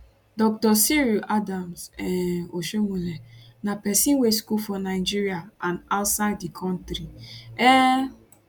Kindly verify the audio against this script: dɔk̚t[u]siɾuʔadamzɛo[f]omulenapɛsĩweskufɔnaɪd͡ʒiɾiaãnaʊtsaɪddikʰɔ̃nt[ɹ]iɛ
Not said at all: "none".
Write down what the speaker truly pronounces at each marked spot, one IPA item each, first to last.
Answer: ɔ, ʃ, ɾ

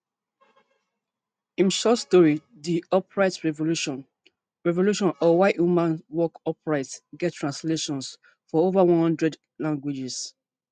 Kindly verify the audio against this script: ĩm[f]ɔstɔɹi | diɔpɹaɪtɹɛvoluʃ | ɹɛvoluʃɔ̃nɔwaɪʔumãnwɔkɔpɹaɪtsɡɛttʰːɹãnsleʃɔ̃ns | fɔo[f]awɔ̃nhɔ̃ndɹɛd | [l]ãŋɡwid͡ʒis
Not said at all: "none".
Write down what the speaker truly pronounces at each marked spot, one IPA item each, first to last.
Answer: ʃ, v, l

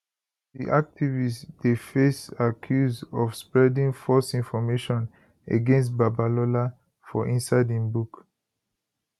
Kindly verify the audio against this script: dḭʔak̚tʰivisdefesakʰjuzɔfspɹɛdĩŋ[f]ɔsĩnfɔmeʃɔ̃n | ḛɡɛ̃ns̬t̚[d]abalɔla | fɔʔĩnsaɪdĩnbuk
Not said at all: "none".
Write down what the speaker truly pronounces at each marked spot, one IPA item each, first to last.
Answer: f, b

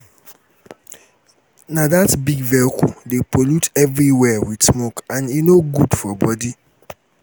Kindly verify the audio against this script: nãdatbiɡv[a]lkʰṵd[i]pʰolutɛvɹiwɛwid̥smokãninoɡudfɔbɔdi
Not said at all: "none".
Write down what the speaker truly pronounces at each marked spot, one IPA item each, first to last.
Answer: ɛ, e

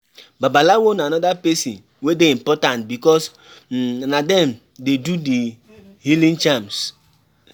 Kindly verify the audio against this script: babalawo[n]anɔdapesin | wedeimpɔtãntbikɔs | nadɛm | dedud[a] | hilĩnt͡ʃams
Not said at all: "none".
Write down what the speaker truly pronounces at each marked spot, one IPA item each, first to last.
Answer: n, i

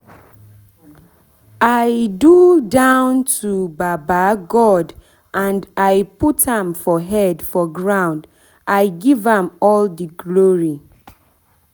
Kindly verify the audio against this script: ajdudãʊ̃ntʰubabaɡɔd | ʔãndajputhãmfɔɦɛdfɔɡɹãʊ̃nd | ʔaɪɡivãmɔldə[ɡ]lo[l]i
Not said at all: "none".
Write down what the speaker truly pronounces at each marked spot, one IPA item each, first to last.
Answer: ɡ, ɹ

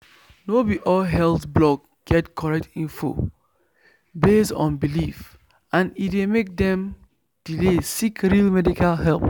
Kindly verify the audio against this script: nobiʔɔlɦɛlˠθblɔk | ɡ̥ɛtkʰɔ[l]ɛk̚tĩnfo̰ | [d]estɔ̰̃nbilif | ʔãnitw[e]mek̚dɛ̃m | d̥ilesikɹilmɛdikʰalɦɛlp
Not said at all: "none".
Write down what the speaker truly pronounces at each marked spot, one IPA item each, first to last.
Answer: ɹ, b, e

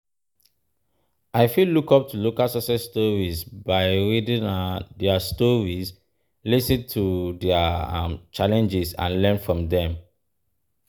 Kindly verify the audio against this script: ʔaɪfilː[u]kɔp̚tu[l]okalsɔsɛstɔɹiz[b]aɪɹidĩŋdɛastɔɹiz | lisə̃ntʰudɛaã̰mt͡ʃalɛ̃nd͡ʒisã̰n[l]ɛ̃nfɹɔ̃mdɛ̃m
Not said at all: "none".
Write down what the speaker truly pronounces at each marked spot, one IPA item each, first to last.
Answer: u, l, b, l

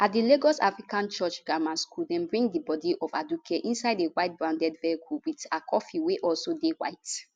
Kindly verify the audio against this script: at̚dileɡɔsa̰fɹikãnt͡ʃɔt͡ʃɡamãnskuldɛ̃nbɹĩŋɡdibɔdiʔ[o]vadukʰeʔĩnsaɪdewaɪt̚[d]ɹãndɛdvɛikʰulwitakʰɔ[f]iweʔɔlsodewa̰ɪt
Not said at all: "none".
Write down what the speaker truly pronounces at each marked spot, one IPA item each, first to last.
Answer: ɔ, b, f

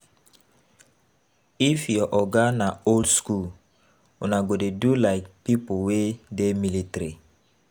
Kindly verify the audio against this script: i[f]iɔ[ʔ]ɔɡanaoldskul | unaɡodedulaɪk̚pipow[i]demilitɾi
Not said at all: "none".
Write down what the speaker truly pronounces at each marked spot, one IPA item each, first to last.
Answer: f, ʔ, e

